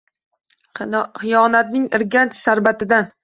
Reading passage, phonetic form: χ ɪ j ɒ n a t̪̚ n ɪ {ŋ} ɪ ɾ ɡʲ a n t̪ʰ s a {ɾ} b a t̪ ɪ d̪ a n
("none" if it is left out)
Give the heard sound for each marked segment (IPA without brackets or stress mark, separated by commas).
ŋ, ɾ